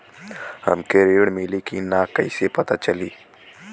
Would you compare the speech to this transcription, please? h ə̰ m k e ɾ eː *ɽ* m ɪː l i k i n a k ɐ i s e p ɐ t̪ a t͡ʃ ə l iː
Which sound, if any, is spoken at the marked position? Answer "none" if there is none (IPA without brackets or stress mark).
ɽ